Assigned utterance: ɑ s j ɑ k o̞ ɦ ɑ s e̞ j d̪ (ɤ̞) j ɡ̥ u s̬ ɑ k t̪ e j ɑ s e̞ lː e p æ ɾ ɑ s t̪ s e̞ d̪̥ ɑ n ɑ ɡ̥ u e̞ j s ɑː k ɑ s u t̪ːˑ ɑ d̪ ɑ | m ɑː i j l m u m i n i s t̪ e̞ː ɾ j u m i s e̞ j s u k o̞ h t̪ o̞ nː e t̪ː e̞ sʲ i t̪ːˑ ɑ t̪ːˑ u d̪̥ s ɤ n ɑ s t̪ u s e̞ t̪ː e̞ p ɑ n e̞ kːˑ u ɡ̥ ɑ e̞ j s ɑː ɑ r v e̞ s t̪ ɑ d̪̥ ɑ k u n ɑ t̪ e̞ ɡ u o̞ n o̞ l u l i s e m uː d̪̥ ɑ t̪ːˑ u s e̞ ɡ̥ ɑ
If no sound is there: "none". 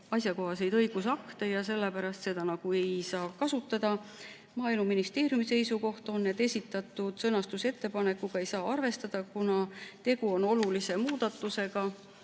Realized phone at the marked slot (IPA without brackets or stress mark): ɤ̞